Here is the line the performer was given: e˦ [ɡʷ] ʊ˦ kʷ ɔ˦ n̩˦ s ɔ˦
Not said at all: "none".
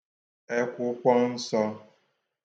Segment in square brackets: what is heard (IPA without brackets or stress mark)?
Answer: kʷ